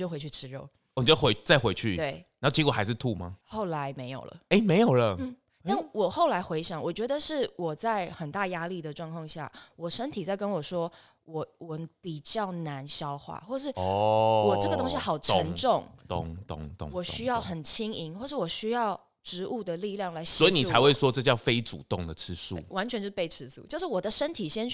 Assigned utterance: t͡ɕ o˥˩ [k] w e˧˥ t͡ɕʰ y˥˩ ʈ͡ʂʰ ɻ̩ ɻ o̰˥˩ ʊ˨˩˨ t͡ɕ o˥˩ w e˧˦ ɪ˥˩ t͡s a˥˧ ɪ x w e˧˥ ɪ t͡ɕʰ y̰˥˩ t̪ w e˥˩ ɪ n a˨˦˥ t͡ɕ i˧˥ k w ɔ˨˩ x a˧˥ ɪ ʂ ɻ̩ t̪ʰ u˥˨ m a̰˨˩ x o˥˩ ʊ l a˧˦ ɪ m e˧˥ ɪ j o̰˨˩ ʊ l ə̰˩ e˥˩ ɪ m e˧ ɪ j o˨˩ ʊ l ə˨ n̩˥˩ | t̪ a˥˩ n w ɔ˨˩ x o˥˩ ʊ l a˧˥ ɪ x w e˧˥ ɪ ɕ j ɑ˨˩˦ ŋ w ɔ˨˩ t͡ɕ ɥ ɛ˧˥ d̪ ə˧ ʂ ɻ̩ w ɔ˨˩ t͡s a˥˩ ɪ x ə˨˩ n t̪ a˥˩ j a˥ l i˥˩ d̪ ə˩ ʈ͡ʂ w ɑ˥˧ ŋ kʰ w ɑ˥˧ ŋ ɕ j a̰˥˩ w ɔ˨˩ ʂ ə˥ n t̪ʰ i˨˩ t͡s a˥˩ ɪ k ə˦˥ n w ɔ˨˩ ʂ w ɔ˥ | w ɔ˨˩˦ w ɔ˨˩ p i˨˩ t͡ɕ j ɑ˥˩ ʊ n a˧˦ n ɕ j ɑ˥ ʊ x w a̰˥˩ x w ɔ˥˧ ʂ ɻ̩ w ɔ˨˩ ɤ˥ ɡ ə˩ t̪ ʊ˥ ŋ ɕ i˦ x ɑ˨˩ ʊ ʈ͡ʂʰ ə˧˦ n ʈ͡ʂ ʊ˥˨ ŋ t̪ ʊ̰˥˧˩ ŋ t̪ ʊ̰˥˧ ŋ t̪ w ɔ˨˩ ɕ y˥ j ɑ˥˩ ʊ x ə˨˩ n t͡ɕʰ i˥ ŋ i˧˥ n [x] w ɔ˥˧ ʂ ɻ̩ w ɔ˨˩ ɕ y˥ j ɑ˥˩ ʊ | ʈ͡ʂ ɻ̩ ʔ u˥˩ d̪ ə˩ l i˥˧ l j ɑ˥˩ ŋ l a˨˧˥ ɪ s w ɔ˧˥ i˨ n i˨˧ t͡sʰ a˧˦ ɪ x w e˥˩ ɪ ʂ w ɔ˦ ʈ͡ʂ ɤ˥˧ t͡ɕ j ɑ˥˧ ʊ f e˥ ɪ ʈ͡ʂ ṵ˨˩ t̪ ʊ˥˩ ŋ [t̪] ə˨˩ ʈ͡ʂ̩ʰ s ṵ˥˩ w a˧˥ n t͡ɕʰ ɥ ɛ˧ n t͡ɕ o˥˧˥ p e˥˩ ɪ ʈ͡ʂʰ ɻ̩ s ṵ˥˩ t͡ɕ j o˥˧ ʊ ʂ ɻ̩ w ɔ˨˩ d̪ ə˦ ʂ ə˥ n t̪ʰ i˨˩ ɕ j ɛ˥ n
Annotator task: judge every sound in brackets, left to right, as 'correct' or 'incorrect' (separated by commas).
incorrect, correct, incorrect